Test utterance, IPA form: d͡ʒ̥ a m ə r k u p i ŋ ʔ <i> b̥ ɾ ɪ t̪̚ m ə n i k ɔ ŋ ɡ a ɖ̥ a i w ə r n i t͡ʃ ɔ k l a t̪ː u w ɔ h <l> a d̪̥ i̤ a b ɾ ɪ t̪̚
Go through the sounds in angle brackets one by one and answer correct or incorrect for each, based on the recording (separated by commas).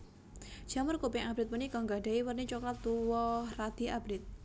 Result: incorrect, incorrect